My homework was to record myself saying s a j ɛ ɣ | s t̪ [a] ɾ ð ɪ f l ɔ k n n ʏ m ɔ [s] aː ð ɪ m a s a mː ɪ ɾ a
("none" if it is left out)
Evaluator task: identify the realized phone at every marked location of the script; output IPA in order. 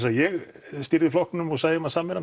i, s

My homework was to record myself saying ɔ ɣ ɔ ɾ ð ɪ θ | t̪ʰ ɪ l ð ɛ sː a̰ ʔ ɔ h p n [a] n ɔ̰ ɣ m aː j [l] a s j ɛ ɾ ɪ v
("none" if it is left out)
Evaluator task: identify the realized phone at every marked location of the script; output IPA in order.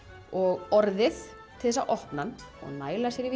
a, l

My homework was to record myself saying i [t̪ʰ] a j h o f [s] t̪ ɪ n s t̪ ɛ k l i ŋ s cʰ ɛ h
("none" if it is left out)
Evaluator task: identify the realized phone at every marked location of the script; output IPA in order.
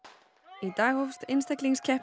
t̪, s

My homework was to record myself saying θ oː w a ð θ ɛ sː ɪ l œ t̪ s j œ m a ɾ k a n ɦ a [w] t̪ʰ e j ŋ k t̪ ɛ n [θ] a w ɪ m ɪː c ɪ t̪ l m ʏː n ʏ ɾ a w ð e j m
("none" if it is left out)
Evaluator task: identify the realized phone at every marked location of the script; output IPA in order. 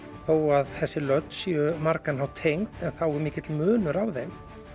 w, θ

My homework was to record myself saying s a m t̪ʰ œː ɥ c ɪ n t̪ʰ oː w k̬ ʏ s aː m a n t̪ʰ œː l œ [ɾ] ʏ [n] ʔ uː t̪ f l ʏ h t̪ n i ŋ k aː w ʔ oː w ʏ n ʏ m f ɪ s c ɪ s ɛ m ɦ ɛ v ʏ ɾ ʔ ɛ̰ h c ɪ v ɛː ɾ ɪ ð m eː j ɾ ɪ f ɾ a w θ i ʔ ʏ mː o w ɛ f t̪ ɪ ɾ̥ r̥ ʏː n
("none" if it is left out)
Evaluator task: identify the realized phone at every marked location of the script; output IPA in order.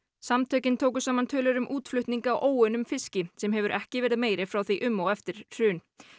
ɾ, m

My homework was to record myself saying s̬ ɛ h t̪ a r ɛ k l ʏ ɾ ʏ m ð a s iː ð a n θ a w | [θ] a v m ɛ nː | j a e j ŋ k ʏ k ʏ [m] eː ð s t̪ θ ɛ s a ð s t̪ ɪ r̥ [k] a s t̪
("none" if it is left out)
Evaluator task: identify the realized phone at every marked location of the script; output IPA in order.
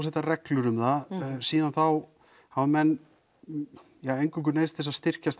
h, n, c

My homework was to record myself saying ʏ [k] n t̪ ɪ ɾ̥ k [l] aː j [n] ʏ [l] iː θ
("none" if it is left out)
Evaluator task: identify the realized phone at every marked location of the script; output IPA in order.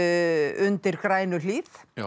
none, ɾ, n, l

